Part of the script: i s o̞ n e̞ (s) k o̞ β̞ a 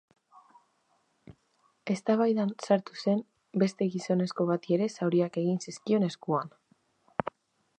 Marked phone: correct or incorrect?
correct